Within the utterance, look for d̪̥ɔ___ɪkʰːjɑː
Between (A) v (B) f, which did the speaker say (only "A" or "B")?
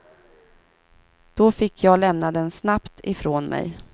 B